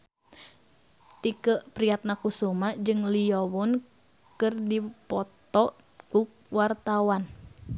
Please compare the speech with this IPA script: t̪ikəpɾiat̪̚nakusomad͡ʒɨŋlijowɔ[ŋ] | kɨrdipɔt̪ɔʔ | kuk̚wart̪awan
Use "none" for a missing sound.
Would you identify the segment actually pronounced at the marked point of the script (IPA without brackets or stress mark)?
n